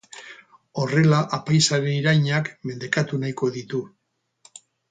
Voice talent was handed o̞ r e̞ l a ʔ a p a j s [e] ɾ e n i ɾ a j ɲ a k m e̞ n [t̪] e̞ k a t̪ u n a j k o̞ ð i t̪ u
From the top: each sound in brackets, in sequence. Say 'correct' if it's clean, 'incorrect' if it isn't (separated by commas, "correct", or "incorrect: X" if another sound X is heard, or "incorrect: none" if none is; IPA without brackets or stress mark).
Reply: incorrect: a, incorrect: d̪